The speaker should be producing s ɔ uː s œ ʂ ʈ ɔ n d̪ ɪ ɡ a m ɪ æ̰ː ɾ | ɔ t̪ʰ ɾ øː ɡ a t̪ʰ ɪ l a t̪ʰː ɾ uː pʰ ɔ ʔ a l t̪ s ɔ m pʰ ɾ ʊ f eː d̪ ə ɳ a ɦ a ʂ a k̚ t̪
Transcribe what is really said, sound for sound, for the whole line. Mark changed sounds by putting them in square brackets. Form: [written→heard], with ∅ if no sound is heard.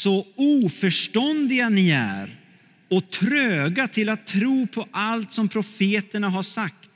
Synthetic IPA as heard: s ɔ uː [s→f] œ ʂ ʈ ɔ n d̪ ɪ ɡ a [m→n] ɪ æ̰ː ɾ | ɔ t̪ʰ ɾ øː ɡ a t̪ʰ ɪ l a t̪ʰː ɾ uː pʰ ɔ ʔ a l t̪ s ɔ m pʰ ɾ ʊ f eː [d̪→t̪] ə ɳ a ɦ a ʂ a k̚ t̪